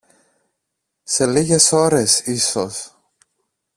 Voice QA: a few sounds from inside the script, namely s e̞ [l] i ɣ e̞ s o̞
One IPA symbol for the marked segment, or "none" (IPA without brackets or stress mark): l